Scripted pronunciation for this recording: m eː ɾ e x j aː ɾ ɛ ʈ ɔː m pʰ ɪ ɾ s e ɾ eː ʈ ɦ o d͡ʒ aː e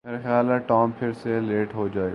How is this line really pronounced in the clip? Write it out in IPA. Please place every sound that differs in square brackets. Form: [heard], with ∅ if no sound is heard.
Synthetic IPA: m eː ɾ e x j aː [l] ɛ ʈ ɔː m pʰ ɪ ɾ s e [l] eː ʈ ɦ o d͡ʒ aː e